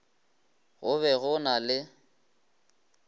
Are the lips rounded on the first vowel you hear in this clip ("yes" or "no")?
yes